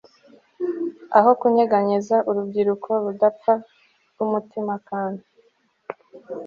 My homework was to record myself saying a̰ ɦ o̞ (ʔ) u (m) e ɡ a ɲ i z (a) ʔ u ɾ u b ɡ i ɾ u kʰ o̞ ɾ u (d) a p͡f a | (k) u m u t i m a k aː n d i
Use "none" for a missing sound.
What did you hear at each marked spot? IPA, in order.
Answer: k, ɲ, a, d, ɡ

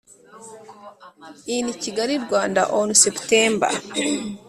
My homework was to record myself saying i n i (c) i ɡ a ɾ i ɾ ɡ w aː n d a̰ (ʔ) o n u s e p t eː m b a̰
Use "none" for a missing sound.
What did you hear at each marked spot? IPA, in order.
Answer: c, ʔ

